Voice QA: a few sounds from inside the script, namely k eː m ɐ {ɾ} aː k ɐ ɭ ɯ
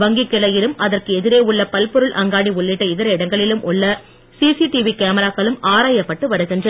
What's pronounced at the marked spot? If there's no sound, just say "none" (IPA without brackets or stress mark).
ɾ